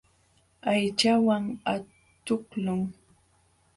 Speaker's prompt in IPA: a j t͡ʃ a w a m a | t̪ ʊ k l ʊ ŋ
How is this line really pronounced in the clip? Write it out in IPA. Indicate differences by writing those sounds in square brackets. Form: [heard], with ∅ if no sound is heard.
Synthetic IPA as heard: a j t͡ʃ a w a [ŋ] a | t̪ ʊ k l ʊ ŋ